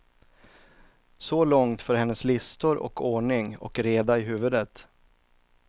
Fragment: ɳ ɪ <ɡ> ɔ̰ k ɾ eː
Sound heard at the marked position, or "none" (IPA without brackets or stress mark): ŋ